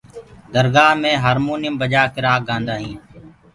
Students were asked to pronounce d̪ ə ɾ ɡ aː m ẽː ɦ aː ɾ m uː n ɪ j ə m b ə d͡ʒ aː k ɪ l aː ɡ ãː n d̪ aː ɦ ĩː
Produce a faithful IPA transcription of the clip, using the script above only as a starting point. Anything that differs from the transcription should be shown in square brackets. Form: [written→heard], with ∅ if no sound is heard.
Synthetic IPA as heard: d̪ ə ɾ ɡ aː m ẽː ɦ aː ɾ m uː n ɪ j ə m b ə d͡ʒ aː k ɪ [l→ɾ] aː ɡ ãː n d̪ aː ɦ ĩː